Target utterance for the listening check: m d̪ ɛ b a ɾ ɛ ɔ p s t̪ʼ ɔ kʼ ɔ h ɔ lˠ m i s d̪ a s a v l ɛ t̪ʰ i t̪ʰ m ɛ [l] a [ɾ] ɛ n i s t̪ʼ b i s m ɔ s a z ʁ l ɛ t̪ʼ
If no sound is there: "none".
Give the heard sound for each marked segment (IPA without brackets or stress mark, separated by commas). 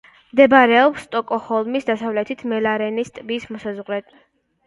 l, ɾ